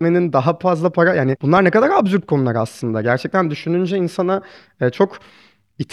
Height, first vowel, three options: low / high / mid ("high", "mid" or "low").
mid